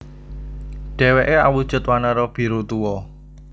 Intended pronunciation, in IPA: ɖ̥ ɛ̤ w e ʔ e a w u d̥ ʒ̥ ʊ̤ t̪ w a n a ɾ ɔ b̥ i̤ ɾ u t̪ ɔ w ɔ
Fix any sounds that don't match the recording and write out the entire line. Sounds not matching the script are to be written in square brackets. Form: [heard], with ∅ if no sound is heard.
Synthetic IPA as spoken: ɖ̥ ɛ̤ w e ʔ e a w u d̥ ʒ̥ ʊ̤ t̪ w a n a ɾ ɔ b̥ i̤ ɾ u t̪ [u] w ɔ